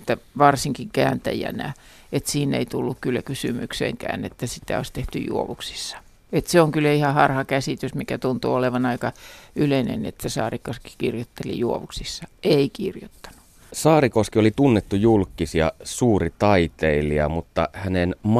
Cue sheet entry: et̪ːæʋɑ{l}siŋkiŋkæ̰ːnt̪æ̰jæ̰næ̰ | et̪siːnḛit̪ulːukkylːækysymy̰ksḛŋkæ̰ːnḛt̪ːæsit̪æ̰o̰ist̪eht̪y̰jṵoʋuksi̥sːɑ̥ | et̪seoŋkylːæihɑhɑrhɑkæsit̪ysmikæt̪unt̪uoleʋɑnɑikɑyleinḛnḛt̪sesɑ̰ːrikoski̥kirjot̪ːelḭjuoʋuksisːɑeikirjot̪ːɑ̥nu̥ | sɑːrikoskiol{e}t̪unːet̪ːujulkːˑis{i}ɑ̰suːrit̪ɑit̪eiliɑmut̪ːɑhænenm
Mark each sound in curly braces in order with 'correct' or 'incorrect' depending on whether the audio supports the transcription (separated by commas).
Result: incorrect, incorrect, correct